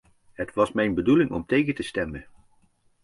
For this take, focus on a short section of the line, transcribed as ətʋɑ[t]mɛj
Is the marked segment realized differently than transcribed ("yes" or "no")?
yes